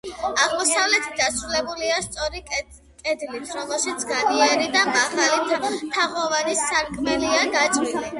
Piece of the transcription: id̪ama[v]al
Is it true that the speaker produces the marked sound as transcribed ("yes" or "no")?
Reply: no